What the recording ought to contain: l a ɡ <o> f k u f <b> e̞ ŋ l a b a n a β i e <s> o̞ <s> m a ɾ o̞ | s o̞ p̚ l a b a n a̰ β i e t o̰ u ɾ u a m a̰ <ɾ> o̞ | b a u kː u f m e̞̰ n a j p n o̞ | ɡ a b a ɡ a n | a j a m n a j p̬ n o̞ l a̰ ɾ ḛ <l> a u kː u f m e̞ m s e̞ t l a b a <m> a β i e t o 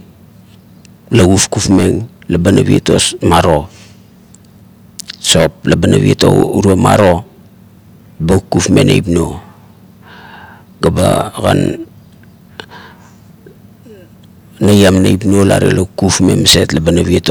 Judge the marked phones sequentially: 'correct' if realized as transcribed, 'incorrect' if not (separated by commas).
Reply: incorrect, incorrect, incorrect, correct, correct, correct, incorrect